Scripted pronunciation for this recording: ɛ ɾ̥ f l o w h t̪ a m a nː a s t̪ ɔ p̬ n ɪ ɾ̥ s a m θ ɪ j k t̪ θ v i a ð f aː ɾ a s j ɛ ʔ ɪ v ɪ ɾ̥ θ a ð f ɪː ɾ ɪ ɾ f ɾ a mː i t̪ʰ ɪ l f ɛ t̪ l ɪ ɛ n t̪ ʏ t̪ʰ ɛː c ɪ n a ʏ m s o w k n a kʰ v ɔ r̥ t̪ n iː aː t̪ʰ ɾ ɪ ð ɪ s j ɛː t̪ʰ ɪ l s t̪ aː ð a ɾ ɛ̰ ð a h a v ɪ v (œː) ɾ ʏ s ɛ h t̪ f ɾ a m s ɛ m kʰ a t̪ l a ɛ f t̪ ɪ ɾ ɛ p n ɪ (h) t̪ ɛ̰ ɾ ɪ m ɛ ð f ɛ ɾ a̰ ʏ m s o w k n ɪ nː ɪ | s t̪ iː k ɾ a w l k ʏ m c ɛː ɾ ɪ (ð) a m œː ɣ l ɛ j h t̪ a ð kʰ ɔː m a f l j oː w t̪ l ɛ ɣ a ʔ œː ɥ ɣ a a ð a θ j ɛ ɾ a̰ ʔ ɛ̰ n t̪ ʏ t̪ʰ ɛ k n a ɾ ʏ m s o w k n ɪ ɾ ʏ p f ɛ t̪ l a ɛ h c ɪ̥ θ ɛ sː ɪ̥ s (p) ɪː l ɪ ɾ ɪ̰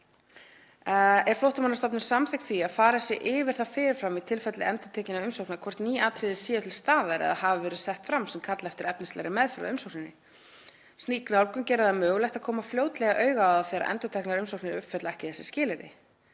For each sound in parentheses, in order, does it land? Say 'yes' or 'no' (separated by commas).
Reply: no, no, yes, no